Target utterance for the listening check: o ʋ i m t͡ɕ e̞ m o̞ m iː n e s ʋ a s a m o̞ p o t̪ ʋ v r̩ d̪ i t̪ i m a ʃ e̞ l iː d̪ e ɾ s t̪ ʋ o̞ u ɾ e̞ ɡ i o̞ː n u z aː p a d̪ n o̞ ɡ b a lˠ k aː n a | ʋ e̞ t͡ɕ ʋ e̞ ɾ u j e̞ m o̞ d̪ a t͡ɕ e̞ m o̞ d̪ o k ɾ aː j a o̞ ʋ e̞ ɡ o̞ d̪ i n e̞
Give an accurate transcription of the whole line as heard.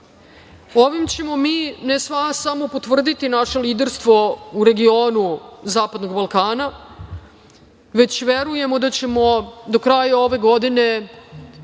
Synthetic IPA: o ʋ i m t͡ɕ e̞ m o̞ m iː n e s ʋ a s a m o̞ p o t̪ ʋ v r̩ d̪ i t̪ i n a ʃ e̞ l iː d̪ e ɾ s t̪ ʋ o̞ u ɾ e̞ ɡ i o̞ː n u z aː p a d̪ n o̞ ɡ b a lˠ k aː n a | ʋ e̞ t͡ɕ ʋ e̞ ɾ u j e̞ m o̞ d̪ a t͡ɕ e̞ m o̞ d̪ o k ɾ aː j a o̞ ʋ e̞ ɡ o̞ d̪ i n e̞